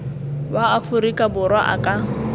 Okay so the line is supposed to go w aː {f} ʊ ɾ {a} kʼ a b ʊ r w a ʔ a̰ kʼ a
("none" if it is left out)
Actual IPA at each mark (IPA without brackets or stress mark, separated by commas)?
f, i